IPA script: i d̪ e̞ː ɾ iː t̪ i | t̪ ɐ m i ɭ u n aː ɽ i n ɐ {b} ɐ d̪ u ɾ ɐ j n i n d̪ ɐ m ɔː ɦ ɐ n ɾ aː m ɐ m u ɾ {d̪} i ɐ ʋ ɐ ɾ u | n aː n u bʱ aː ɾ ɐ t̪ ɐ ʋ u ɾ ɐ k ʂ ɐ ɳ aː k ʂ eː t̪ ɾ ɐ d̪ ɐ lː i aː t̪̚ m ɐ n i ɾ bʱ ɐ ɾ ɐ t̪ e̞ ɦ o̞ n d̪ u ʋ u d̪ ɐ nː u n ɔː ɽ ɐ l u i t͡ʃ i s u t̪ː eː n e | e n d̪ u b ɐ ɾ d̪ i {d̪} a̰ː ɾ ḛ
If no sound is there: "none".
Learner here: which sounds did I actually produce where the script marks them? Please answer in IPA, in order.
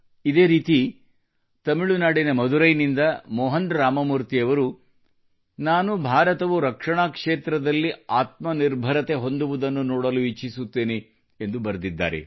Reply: m, t̪, d̪ː

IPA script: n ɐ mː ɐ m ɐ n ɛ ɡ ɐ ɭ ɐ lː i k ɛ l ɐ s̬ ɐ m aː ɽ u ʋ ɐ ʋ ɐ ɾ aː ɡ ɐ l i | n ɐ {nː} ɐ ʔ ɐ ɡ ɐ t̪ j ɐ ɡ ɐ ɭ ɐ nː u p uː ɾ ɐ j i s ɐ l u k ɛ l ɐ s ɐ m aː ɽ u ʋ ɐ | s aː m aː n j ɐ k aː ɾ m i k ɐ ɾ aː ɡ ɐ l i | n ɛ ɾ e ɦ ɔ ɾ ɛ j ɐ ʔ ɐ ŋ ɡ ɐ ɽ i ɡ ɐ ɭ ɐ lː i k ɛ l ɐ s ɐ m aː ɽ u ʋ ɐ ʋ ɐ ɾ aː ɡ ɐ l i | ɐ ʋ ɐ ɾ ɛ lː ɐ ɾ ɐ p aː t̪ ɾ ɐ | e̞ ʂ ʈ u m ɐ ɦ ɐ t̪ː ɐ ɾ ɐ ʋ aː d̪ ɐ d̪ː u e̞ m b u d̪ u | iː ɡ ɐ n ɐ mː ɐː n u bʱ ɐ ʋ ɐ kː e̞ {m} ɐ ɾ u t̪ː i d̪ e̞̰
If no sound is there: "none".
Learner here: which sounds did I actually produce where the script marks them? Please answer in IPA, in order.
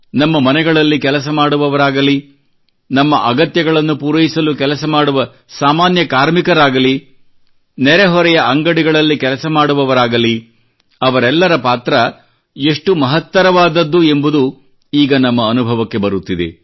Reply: mː, b

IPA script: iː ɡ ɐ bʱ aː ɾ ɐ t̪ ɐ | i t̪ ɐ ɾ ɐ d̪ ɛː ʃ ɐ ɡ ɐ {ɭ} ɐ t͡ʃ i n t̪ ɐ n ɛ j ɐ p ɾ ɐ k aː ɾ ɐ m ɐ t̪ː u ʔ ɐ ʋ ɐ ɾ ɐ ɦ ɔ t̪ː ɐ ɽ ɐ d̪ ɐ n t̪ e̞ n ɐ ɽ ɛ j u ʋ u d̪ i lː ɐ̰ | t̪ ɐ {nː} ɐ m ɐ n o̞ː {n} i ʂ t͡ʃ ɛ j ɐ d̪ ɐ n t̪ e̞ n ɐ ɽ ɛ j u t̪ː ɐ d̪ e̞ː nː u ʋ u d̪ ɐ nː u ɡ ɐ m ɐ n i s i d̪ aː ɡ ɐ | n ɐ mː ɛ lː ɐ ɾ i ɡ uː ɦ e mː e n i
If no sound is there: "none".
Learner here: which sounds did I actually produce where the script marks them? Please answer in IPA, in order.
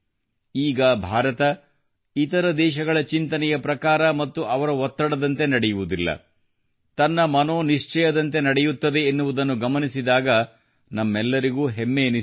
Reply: ɭ, nː, n

